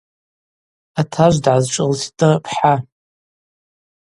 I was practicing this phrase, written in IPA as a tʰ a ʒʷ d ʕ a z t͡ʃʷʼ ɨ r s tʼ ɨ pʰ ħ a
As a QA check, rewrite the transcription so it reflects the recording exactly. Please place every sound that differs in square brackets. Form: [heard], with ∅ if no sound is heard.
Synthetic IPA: a tʰ a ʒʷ d ʕ a z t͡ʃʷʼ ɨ [l] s tʼ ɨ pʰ ħ a

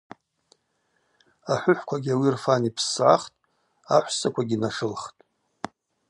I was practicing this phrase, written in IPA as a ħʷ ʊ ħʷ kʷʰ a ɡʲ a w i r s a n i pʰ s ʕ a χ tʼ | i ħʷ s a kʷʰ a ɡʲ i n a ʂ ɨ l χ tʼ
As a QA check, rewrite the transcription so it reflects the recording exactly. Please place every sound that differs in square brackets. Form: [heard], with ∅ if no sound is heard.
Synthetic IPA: a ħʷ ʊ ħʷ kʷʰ a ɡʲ a w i r [f] a n i pʰ s ʕ a χ tʼ | [a] ħʷ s a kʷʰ a ɡʲ i n a ʂ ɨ l χ tʼ

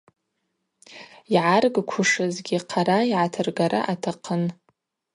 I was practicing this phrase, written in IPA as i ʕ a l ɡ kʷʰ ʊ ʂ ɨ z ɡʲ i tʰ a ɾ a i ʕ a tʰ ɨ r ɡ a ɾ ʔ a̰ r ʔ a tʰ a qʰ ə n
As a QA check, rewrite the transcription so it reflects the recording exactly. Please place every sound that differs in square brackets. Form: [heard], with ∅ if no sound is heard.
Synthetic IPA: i ʕ a [r] ɡ kʷʰ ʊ ʂ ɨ z ɡʲ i [qʰ] a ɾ a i ʕ a tʰ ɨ r ɡ a ɾ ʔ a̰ [∅] ʔ a tʰ a qʰ ə n

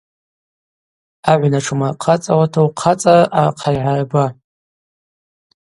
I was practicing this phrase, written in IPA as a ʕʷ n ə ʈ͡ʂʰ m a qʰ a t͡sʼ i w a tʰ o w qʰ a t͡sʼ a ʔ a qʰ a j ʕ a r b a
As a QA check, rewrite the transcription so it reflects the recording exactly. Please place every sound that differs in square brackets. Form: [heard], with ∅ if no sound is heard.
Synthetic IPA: a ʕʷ n [a] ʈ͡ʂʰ m a qʰ a t͡sʼ [a] w a tʰ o w qʰ a t͡sʼ a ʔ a qʰ a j ʕ a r b a

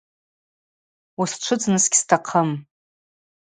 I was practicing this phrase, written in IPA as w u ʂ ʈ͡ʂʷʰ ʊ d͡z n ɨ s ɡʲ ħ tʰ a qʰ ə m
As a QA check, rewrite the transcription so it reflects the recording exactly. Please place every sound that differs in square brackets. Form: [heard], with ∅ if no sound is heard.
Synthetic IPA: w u [s] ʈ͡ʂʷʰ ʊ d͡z n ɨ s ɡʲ [s] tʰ a qʰ ə m

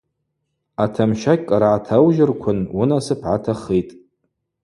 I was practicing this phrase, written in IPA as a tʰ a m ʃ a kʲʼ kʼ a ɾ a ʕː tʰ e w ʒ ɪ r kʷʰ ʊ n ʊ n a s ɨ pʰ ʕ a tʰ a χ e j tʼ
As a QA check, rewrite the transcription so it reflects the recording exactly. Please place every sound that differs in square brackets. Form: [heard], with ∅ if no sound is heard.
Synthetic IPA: a tʰ a m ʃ a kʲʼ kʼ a ɾ a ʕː tʰ [a] w ʒ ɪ r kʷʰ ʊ n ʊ n a s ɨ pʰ ʕ a tʰ a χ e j tʼ

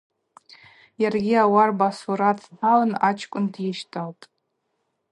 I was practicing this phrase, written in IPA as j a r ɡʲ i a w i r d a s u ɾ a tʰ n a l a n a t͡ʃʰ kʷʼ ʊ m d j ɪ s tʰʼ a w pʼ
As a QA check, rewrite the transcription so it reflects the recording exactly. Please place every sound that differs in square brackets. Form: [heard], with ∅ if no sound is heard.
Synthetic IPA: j a r ɡʲ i a w [a] r [b] a s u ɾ a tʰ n a l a n a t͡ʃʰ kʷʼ ʊ [n] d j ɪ [ʃ] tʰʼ a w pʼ

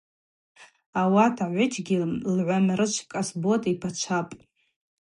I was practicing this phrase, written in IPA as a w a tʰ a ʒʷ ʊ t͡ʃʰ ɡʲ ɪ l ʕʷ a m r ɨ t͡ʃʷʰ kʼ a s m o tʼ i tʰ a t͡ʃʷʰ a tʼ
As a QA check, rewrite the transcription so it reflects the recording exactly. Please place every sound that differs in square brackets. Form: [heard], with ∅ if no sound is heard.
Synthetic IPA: a w a tʰ a [ʕʷ] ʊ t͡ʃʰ ɡʲ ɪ l ʕʷ a m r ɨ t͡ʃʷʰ kʼ a s [b] o tʼ i [pʰ] a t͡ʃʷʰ a [pʼ]

